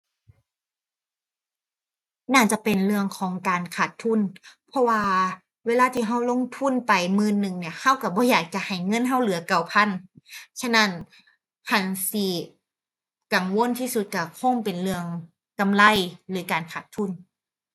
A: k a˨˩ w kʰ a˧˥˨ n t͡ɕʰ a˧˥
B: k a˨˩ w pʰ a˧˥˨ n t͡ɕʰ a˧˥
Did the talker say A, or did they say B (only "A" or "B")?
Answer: B